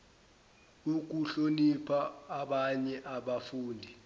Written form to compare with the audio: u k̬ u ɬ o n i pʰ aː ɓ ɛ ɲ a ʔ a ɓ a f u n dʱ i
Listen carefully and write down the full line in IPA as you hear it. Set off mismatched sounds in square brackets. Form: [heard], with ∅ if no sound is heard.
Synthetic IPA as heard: u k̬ u ɬ o n i pʰ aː ɓ [a] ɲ [ɛ] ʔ a ɓ a f [uː] n dʱ i